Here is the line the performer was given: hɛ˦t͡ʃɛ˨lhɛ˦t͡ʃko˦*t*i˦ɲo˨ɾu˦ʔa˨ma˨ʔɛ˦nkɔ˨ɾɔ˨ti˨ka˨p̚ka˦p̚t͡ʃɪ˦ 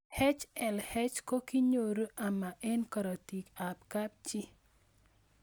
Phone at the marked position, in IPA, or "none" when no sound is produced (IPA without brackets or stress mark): k